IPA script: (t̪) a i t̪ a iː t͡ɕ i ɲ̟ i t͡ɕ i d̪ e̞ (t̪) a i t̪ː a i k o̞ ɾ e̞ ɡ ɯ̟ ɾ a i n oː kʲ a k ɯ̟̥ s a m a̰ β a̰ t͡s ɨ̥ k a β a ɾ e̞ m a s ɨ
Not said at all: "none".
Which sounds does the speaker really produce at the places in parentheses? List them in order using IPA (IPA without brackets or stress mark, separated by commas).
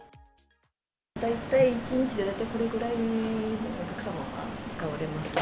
d̪, d̪